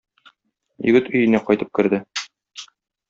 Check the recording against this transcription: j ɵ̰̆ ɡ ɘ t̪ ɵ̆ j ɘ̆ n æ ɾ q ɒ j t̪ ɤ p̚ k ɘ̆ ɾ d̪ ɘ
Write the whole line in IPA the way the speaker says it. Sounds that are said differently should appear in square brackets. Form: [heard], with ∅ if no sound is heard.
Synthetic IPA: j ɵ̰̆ ɡ ɘ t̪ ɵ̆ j ɘ̆ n æ [∅] q ɒ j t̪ ɤ p̚ k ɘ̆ ɾ d̪ ɘ